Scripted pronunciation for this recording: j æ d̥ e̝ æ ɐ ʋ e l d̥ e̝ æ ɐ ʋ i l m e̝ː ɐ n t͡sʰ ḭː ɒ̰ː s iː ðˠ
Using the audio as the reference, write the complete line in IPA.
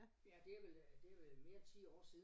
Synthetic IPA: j æ d̥ e̝ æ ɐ ʋ e l d̥ e̝ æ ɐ ʋ e l m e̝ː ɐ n t͡sʰ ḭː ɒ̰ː s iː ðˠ

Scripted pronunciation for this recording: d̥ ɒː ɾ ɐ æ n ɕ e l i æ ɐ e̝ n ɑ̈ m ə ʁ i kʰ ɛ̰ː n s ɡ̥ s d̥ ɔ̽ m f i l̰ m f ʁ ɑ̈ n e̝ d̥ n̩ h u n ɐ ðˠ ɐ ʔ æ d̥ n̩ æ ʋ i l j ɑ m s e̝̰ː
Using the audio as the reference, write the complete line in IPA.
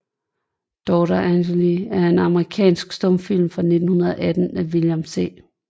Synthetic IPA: d̥ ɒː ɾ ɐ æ n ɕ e l i æ ɐ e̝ n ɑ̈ m ə ʁ i kʰ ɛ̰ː n s ɡ̥ s d̥ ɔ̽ m f i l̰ m f ʁ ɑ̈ n e̝ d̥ n̩ h u n ɐ ðˠ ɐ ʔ æ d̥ n̩ æ ʋ i l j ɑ m s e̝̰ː

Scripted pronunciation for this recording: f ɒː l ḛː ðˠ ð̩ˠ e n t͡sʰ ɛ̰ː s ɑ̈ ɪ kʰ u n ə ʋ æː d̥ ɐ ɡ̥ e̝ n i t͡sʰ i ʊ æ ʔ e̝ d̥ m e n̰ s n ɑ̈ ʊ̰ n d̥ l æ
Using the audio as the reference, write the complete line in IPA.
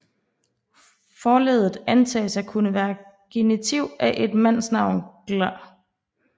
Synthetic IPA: f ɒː l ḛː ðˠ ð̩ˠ æ n t͡sʰ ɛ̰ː s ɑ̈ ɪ kʰ u n ə ʋ æː ɐ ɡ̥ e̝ n i t͡sʰ i ʊ æ ʔ e̝ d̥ m æ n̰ s n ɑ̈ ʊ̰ n ɡ̥ l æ

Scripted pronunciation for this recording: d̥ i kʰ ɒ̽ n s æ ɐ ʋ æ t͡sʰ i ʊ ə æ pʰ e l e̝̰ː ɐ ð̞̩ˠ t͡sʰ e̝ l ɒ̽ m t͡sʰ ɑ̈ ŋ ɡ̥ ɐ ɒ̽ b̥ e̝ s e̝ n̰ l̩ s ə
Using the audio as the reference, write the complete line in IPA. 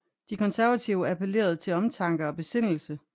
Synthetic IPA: d̥ i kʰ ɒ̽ n s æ ɐ ʋ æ t͡sʰ i ʊ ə æ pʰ e l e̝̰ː ɐ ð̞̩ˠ t͡sʰ e̝ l ɒ̽ m t͡sʰ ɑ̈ ŋ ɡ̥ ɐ ɒ̽ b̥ e̝ s e̝ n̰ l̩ s ə

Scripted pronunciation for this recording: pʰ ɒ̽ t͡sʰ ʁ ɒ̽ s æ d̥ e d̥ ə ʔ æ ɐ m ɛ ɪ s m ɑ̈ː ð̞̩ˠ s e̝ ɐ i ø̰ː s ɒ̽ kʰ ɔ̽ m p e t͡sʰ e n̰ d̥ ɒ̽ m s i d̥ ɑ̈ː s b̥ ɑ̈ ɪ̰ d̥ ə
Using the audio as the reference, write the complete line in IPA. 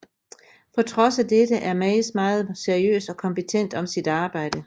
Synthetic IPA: pʰ ɒ̽ t͡sʰ ʁ ɒ̽ s æ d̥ e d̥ ə ʔ æ ɐ m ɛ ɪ s m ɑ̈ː ð̞̩ˠ s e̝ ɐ i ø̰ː s ɒ̽ kʰ ɒ̽ m p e t͡sʰ e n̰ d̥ ɒ̽ m s i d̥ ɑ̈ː b̥ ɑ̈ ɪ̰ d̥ ə

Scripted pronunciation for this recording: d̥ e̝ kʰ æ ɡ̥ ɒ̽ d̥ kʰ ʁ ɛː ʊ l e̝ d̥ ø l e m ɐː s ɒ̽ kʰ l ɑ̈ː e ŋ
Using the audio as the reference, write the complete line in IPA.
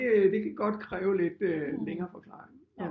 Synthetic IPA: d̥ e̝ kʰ æ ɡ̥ ɒ̽ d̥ kʰ ʁ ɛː ʊ l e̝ d̥ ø l e ŋ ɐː f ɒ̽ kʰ l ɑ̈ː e ŋ

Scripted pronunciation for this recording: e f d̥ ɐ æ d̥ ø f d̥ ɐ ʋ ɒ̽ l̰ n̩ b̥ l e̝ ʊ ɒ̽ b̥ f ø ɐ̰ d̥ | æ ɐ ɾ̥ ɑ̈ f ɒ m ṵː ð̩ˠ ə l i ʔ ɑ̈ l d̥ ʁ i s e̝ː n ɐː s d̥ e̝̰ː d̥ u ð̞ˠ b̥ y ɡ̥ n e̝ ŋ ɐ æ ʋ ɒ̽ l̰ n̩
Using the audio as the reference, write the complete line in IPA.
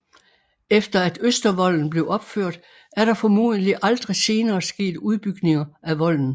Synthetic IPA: e f d̥ ɐ æ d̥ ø s d̥ ɐ ʋ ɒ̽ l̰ n̩ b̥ l e̝ ʊ ɒ̽ b̥ f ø ɐ̰ d̥ | æ ɐ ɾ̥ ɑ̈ f ɒ m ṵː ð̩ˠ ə l i ʔ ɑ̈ l d̥ ʁ i s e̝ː n ɐː s ɡ̥ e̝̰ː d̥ u ð̞ˠ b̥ y ɡ̥ n e̝ ŋ ɐ æ ʋ ɒ̽ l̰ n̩

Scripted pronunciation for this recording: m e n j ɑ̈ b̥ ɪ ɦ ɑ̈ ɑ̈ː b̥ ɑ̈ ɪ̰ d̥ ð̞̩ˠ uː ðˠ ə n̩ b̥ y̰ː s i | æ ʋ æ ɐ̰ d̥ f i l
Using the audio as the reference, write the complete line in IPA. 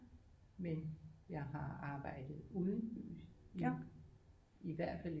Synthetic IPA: m e n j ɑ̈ ɪ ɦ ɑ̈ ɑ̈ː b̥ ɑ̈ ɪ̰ d̥ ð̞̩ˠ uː ðˠ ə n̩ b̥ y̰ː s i | i ʋ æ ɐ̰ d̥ f æ l

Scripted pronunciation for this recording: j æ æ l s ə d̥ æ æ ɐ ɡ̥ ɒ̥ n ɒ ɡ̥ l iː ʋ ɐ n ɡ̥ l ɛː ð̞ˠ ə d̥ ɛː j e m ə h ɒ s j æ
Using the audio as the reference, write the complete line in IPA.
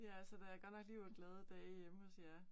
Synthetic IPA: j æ æ l s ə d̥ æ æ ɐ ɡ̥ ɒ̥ n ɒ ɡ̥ l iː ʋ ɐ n ɡ̥ l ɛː ð̞ˠ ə d̥ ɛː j e m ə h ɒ s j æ

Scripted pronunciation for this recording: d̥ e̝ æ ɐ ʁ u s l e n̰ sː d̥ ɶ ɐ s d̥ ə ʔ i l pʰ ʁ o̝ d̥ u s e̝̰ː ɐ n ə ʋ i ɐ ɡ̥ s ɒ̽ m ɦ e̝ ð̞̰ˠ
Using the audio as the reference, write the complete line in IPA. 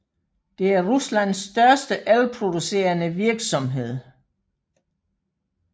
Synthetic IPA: d̥ e̝ æ ɐ ʁ u s l æ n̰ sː d̥ ɶ ɐ s d̥ ə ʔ æ l pʰ ʁ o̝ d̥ u s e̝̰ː ɐ n ə ʋ i ɐ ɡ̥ s ɒ̽ m ɦ e̝ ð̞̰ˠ

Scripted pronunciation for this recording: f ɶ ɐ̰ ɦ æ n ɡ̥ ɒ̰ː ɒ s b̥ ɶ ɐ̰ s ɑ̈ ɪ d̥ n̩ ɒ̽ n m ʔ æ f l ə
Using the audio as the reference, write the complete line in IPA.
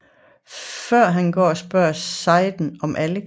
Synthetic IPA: f ɶ ɐ̰ ɦ æ n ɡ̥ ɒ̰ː ɒ s b̥ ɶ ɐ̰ s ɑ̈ ɪ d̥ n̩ ɒ̽ m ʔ æ l ə

